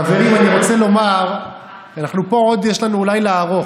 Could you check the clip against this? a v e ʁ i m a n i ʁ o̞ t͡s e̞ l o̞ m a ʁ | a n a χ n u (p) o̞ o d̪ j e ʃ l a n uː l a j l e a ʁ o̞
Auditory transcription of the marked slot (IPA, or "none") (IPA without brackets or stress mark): p